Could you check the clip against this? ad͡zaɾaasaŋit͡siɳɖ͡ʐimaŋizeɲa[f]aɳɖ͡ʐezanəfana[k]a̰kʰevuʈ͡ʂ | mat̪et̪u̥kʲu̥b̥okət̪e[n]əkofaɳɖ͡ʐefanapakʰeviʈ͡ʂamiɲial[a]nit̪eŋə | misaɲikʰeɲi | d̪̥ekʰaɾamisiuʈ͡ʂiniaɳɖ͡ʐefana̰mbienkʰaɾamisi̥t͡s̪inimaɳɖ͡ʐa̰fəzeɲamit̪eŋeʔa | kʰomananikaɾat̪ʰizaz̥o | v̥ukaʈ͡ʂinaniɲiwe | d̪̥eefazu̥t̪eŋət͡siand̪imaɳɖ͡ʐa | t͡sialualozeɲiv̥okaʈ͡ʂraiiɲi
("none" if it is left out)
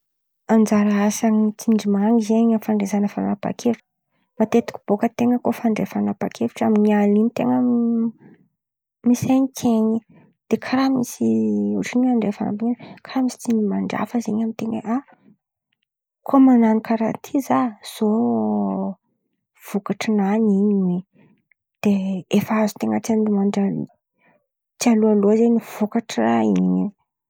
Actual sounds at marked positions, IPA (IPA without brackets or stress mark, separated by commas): f, p, ŋ, i